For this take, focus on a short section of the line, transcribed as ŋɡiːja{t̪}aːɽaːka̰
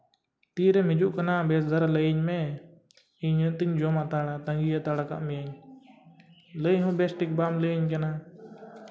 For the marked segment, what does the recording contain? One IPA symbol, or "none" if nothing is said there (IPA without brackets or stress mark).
t̪